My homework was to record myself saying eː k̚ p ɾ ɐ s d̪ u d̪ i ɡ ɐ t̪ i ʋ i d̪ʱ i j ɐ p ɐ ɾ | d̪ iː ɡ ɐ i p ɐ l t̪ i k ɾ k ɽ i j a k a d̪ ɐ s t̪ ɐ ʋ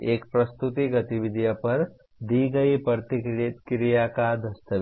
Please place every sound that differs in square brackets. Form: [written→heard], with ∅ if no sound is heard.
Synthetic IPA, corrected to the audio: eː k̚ p ɾ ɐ s [d̪→t̪] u [d̪→t̪] i ɡ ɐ t̪ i ʋ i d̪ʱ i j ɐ p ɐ ɾ | d̪ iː ɡ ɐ i p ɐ [l→ɾ] t̪ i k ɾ k [ɽ→ɾ] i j a k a d̪ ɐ s t̪ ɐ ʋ